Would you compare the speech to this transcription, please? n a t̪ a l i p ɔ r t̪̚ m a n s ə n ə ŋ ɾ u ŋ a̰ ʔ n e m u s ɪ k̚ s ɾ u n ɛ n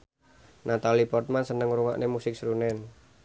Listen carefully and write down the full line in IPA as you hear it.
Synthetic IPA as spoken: n a t̪ a l i p ɔ r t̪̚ m a n s ə n ə ŋ ɾ u ŋ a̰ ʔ n e m u s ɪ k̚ s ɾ u n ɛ n